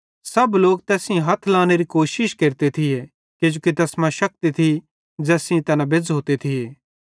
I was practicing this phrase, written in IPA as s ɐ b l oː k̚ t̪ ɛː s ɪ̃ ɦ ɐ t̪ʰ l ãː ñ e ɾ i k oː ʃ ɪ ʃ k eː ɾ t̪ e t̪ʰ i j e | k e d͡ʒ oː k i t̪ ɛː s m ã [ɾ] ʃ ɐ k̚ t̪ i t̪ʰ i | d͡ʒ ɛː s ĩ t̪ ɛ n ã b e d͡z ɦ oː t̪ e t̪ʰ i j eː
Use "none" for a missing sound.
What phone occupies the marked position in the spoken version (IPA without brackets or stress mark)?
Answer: none